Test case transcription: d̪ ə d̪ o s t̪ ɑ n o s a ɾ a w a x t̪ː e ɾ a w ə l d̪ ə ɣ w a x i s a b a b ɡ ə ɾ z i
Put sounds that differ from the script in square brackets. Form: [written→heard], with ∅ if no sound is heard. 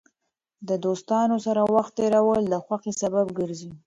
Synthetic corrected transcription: d̪ ə d̪ o s t̪ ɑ n o s a ɾ a w a x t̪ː e ɾ a w ə l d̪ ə [ɣ→x] w a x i s a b a b ɡ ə ɾ z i